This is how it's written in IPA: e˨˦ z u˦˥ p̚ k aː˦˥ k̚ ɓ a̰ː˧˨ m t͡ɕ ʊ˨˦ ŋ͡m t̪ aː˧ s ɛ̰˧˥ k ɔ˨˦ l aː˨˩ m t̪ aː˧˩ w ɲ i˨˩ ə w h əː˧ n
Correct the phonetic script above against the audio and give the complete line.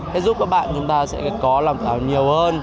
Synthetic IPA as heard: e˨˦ z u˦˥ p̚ k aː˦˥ k̚ ɓ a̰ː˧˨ n t͡ɕ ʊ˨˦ ŋ͡m t̪ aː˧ s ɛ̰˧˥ k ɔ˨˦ l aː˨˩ m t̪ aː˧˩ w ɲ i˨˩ ə w h əː˧ n